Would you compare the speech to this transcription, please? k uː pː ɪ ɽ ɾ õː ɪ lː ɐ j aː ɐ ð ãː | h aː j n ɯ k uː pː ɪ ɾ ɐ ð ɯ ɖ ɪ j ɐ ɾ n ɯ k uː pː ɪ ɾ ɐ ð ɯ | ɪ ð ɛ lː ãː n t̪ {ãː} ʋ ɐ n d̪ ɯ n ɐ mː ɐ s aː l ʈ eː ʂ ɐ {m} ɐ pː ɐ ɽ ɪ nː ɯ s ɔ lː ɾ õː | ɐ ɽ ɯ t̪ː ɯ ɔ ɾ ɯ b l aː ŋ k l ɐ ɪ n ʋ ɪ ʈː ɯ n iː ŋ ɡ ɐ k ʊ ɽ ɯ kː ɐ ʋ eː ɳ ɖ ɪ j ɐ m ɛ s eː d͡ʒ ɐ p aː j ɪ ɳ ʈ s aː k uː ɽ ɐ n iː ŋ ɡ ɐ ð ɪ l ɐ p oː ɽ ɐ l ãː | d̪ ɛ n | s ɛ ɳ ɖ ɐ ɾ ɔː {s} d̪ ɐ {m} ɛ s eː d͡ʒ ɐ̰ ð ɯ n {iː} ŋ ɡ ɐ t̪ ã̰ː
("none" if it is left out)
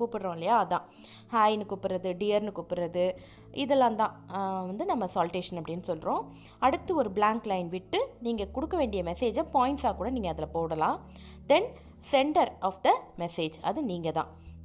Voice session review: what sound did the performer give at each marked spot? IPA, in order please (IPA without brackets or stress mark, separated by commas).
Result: ãː, n, f, m, iː